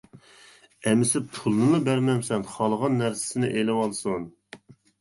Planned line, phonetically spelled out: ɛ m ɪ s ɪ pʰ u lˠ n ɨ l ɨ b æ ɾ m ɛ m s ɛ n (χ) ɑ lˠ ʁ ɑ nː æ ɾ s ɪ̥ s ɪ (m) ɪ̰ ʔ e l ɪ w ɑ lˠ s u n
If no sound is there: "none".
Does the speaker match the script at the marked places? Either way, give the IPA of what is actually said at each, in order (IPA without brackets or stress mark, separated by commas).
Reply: χ, n